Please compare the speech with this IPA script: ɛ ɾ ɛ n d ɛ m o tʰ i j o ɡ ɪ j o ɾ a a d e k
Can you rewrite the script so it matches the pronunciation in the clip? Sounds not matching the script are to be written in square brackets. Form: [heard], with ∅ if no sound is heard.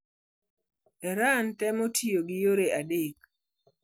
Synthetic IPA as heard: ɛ ɾ [a] n [t] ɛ m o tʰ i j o ɡ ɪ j o ɾ [e] a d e k